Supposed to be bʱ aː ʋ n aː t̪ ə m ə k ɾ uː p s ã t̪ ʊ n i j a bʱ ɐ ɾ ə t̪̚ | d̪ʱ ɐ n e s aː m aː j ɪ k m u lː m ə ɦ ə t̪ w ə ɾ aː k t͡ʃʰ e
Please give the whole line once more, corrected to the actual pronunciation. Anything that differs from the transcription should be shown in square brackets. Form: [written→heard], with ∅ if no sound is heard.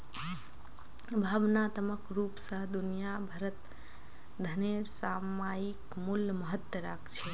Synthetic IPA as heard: bʱ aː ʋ n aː t̪ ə m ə k ɾ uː p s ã [t̪→d̪] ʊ n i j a bʱ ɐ ɾ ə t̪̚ | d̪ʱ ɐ n e s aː m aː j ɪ k m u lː m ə ɦ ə t̪ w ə ɾ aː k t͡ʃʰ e